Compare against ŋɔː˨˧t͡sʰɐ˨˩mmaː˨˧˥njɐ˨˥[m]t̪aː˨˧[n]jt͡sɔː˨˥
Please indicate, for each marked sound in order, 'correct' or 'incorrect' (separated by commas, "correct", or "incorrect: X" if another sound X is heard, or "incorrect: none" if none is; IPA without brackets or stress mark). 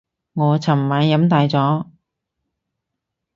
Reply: correct, incorrect: none